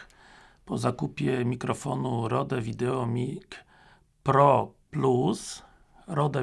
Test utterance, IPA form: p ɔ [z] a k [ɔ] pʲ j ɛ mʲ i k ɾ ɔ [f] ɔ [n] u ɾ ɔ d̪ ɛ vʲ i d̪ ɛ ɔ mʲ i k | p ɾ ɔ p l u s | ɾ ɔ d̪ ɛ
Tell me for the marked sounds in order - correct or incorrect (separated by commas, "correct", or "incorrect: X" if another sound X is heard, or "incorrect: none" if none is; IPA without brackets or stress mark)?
correct, incorrect: u, correct, correct